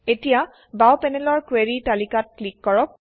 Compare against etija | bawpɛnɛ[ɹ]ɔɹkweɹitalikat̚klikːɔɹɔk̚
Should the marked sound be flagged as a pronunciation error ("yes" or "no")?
yes